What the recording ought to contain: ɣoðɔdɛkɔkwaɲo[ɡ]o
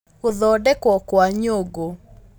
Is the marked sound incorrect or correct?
correct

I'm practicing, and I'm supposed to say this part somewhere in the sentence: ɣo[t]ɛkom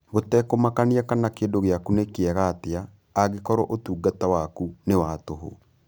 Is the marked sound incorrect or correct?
correct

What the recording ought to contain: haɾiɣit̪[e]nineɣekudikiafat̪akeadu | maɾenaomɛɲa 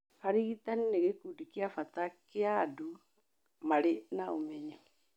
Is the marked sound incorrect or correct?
incorrect: a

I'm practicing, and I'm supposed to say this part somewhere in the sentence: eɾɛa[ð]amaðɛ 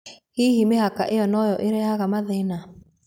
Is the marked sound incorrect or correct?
incorrect: ɣ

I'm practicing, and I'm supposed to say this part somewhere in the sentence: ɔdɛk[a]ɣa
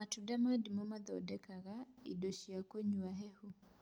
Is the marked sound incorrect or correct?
correct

